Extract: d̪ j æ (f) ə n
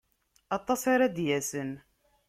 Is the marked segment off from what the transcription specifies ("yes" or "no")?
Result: yes